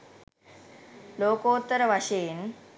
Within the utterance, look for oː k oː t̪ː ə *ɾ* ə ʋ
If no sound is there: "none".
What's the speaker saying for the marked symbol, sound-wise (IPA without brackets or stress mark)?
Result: ɾ